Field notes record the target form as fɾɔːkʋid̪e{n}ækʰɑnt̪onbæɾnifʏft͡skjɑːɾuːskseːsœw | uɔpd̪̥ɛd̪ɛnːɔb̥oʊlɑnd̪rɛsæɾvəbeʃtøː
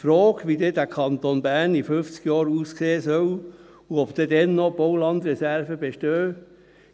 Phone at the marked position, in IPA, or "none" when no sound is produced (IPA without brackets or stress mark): d